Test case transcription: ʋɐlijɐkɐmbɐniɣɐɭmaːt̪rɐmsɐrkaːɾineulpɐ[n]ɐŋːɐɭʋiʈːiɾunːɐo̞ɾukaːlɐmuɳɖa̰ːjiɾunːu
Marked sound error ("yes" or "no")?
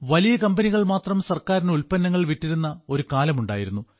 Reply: yes